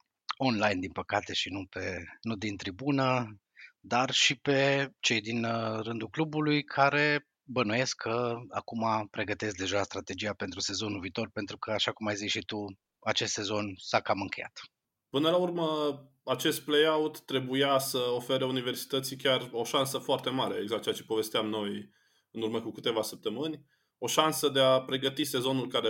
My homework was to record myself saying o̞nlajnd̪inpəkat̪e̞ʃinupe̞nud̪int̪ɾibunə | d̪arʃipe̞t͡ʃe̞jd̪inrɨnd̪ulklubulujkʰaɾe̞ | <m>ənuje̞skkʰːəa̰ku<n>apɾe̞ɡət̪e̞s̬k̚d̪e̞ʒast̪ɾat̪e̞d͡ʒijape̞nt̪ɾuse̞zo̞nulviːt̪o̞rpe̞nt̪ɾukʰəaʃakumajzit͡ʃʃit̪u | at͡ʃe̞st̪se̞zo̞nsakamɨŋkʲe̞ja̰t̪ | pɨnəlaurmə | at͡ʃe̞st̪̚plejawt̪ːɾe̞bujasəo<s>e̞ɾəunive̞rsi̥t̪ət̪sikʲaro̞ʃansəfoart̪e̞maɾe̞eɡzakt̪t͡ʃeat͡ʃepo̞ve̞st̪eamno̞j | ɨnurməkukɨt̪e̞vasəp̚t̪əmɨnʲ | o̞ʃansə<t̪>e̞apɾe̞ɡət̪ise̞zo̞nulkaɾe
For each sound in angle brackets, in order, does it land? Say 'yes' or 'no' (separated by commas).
no, no, no, no